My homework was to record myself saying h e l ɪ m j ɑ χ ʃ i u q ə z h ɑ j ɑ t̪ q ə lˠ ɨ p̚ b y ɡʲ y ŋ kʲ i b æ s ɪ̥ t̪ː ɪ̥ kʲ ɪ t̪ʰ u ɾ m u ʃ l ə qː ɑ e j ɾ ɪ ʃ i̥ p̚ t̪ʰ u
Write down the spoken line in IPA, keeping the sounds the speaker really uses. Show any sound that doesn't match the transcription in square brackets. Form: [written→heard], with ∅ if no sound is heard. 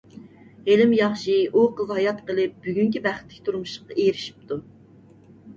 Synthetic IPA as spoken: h e l ɪ m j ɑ χ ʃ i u q ə z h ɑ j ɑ t̪ q ə lˠ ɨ p̚ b y ɡʲ y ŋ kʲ i b æ [s→χ] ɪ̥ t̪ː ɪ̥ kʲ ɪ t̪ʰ u ɾ m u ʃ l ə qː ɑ e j ɾ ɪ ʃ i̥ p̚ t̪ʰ u

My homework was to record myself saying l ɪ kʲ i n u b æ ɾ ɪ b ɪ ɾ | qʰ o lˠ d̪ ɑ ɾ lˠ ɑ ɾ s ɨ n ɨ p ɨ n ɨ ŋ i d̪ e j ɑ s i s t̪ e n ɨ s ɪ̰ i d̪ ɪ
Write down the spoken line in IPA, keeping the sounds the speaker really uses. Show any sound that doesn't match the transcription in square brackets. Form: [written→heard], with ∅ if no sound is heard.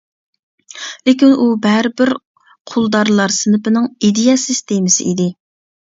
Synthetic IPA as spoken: l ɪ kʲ i n u b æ ɾ ɪ b ɪ ɾ | qʰ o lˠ d̪ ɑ ɾ lˠ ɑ ɾ s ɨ n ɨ p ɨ n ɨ ŋ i d̪ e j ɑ s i s t̪ e [n→m] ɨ s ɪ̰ i d̪ ɪ

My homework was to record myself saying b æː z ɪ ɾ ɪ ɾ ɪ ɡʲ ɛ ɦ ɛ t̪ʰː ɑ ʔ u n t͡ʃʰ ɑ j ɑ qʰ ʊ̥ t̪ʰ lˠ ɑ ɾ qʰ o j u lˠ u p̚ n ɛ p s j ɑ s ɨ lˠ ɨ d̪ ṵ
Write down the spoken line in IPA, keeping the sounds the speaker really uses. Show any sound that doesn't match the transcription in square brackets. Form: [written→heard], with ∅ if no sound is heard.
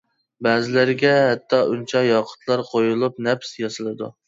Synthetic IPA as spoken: b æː z ɪ [ɾ→l] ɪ ɾ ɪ ɡʲ ɛ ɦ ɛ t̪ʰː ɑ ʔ u n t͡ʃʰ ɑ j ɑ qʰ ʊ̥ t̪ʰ lˠ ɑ ɾ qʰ o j u lˠ u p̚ n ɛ p s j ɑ s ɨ lˠ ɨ d̪ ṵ

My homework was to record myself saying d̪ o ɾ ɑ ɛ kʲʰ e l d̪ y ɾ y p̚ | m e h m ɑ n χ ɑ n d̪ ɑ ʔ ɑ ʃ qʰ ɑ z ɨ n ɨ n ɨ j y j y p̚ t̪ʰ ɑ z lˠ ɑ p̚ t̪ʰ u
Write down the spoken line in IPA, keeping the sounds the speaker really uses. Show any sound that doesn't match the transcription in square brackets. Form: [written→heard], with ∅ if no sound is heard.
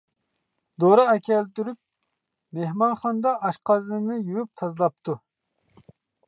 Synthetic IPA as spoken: d̪ o ɾ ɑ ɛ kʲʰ [e→ɛ] l [d̪→t̪] y ɾ y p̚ | m e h m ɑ n χ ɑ n d̪ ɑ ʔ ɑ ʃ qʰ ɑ z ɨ n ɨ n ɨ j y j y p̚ t̪ʰ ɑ z lˠ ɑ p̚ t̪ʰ u

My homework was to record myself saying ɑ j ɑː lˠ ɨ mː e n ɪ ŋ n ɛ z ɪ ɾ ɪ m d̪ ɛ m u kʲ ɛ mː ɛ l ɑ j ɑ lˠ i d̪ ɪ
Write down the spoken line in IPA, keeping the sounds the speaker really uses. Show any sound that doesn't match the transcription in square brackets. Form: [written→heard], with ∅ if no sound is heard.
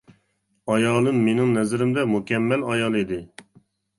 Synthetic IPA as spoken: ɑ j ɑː lˠ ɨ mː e n ɪ ŋ n ɛ z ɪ ɾ ɪ m d̪ ɛ m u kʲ ɛ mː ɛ l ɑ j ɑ lˠ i d̪ ɪ

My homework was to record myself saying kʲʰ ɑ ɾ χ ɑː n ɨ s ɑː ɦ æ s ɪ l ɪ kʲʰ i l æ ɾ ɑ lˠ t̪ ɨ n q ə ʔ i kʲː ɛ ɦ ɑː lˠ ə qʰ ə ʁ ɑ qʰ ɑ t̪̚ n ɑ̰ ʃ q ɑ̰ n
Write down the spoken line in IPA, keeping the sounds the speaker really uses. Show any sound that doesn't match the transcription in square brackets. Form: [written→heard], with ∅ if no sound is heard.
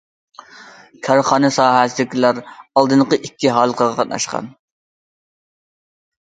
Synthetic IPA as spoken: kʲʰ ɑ ɾ χ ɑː n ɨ s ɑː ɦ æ s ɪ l ɪ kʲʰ i l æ ɾ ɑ lˠ [t̪→d̪] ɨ n q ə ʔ i kʲː [ɛ→i] ɦ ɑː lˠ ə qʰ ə ʁ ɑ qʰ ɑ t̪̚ n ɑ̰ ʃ q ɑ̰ n

